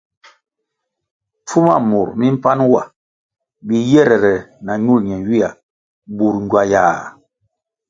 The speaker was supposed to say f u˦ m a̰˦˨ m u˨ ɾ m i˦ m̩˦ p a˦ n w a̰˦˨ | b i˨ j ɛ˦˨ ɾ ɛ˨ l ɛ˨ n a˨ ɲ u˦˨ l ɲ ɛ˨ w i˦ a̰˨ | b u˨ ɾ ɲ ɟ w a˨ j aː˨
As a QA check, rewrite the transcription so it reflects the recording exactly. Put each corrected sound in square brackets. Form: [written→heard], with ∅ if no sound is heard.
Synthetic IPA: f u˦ m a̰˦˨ m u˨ ɾ m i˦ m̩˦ p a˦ n w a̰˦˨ | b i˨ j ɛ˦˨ ɾ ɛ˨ [l→ɾ] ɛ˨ n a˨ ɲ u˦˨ l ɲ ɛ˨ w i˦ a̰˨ | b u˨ ɾ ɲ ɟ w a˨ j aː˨